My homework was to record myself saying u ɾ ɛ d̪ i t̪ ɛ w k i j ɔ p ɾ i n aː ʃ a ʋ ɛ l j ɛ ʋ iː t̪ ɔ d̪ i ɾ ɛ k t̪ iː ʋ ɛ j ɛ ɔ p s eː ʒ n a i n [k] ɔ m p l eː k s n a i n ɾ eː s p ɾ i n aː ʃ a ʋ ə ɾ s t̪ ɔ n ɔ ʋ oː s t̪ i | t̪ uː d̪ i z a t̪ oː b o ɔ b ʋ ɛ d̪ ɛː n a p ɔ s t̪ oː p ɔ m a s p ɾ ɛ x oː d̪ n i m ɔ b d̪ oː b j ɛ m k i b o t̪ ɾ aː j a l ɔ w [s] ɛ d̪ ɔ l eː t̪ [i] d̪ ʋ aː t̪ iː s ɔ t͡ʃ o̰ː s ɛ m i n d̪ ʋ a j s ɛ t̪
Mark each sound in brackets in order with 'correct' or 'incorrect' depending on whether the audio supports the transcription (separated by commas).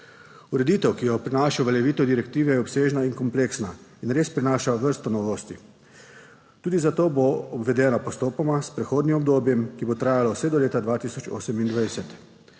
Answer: correct, correct, incorrect